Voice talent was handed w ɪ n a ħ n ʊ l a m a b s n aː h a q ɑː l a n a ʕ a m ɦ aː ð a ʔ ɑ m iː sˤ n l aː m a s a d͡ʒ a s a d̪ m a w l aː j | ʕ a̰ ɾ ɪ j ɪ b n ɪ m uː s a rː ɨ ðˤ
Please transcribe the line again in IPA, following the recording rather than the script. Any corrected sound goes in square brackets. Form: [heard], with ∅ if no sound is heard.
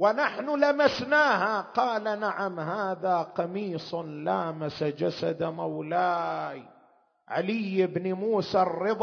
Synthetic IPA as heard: w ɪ n a ħ n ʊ l a m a [∅] s n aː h a q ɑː l a n a ʕ a m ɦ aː ð a [q] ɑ m iː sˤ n l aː m a s a d͡ʒ a s a d̪ m a w l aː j | ʕ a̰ [l] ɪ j ɪ b n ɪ m uː s a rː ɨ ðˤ